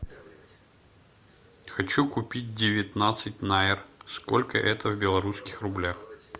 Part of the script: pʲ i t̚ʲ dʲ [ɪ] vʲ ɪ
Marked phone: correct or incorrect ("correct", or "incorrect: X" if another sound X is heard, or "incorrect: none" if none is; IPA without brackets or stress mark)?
correct